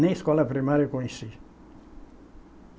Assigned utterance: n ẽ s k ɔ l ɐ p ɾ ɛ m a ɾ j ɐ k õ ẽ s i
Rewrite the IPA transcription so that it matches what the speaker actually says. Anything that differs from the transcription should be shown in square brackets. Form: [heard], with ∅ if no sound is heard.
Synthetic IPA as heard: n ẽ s k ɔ l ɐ p ɾ [i] m a ɾ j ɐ k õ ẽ s i